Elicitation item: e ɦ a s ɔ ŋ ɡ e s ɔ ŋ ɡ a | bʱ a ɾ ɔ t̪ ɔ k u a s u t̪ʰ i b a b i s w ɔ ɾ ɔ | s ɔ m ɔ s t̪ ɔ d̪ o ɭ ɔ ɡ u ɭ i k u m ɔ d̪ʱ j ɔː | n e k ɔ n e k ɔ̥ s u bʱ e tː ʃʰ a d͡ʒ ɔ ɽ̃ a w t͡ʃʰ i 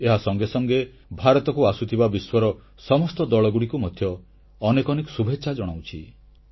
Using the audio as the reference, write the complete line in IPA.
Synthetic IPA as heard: e ɦ a s ɔ ŋ ɡ e s ɔ ŋ ɡ e | bʱ a ɾ ɔ t̪ ɔ k u a s u t̪ʰ i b a b i s w ɔ ɾ ɔ | s ɔ m ɔ s t̪ ɔ d̪ ɔ ɭ ɔ ɡ u ɽ i k u m ɔ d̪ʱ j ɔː | n e k ɔ n e k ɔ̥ s u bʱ e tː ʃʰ a d͡ʒ ɔ ɽ̃ a w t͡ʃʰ i